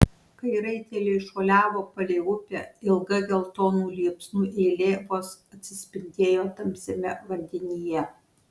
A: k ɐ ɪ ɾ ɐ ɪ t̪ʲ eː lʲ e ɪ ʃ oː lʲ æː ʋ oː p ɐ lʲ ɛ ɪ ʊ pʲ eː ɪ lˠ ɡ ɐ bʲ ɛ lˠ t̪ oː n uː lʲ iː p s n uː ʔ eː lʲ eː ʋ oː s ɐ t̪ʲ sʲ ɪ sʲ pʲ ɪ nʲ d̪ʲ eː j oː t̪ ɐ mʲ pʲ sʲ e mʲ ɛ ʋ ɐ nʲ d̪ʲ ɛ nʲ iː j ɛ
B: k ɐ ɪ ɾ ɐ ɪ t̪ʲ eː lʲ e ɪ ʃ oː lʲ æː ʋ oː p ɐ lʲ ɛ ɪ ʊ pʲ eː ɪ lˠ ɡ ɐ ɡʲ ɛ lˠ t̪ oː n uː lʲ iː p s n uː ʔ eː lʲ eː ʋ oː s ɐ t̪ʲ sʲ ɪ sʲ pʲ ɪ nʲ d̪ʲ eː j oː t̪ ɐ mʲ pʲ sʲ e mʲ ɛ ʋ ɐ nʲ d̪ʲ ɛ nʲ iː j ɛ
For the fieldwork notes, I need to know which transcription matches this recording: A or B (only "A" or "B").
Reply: B